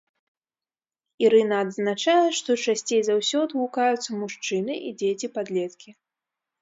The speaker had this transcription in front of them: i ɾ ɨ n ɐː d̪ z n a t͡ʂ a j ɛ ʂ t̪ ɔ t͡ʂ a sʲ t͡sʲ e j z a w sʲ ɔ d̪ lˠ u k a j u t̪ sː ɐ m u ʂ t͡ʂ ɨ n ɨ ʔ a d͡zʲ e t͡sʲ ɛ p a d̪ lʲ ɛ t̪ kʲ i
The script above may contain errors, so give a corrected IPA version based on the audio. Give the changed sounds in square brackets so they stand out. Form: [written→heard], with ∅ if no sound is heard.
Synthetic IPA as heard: i ɾ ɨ n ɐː d̪ z n a t͡ʂ a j ɛ ʂ t̪ ɔ t͡ʂ a sʲ t͡sʲ e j z a w sʲ ɔ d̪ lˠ u k a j u t̪ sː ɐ m u ʂ t͡ʂ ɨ n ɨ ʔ [a→i] d͡zʲ e t͡sʲ [ɛ→i] p a d̪ lʲ ɛ t̪ kʲ i